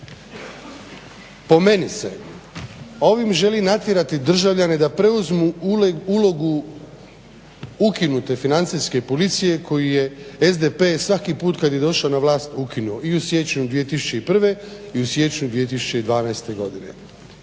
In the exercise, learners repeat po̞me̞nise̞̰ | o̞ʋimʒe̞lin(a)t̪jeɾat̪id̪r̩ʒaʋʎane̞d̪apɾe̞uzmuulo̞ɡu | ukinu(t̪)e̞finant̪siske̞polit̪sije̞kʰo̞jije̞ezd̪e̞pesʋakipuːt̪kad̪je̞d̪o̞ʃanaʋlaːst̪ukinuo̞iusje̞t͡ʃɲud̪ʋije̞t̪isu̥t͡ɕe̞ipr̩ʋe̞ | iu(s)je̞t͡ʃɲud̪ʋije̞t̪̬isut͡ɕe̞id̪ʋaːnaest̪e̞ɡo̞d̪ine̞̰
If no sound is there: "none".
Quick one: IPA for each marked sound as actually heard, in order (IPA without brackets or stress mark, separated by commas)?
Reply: a, t̪, s